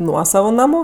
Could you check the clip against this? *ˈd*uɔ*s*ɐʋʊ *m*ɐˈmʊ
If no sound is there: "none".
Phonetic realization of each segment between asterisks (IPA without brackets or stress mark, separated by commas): n, s, n